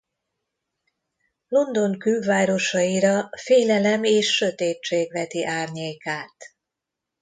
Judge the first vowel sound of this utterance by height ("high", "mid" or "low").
mid